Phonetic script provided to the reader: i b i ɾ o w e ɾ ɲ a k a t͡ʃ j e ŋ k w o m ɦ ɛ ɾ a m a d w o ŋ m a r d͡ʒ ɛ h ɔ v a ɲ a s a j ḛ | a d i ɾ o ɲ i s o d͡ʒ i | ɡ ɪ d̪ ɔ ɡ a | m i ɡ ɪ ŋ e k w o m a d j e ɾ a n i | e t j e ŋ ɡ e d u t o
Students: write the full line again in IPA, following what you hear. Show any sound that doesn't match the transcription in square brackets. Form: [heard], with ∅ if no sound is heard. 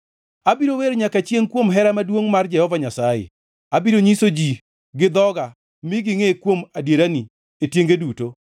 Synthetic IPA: [a] b i ɾ o w e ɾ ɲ a k a t͡ʃ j e ŋ k w o m ɦ ɛ ɾ a m a d w o ŋ m a r d͡ʒ ɛ h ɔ v a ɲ a s a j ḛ | a [b] i ɾ o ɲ i s o d͡ʒ i | ɡ ɪ d̪ ɔ ɡ a | m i ɡ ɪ ŋ e k w o m a d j e ɾ a n i | e t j e ŋ ɡ e d u t o